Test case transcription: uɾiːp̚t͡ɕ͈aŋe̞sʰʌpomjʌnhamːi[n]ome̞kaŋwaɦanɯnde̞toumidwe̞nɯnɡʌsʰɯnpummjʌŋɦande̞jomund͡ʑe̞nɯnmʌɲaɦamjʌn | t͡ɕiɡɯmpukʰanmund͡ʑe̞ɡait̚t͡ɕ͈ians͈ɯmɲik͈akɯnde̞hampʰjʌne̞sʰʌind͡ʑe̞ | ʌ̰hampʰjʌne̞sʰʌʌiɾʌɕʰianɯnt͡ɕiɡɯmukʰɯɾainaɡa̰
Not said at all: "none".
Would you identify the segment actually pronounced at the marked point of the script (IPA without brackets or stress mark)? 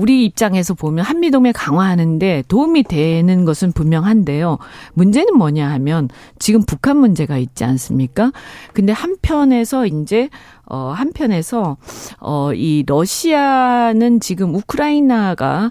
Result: d